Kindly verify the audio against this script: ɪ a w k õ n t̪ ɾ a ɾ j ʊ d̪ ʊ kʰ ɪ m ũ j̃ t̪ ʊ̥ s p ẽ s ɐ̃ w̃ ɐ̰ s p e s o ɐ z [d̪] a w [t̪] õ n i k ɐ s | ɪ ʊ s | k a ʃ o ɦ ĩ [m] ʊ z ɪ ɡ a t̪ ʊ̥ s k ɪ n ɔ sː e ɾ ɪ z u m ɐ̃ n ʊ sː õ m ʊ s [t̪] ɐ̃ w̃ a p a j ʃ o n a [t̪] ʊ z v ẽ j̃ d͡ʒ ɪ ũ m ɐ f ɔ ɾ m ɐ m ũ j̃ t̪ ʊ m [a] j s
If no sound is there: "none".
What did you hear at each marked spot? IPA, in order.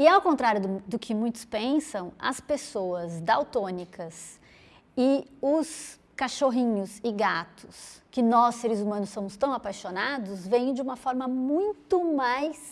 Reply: d̪, t̪, ɲ, t̪, d̪, a

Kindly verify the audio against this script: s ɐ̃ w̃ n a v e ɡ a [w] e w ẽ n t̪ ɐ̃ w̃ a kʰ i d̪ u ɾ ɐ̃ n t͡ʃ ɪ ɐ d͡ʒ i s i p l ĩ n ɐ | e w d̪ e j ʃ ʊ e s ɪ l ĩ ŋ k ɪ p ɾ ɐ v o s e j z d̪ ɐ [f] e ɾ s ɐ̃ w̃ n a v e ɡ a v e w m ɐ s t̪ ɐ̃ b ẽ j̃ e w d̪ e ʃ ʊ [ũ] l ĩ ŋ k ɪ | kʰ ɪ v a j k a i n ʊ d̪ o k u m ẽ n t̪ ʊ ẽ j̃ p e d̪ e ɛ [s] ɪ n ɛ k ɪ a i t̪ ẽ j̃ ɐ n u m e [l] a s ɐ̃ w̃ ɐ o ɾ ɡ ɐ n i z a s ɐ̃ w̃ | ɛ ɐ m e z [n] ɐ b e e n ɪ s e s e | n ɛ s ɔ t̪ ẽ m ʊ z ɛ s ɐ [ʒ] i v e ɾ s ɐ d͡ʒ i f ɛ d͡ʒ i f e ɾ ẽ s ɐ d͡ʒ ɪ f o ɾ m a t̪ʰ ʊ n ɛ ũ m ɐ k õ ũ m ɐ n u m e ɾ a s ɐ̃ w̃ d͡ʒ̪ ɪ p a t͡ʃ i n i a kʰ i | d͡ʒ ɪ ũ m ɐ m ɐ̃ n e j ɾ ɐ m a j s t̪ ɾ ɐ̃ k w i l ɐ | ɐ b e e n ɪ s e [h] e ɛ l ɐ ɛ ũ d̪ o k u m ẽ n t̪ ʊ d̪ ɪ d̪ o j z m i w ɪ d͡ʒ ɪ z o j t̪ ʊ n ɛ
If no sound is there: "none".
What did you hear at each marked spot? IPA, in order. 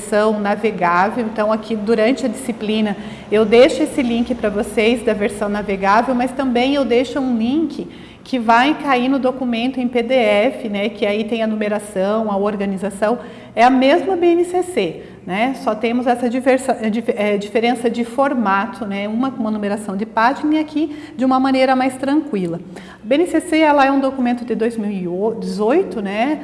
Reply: v, v, ũ, f, ɾ, m, d͡ʒ, s

